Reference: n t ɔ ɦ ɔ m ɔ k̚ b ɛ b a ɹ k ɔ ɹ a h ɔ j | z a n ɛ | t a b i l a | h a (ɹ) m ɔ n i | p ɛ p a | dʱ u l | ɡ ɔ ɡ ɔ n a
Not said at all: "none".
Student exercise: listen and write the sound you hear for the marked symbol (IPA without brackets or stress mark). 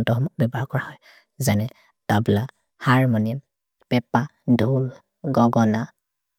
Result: ɹ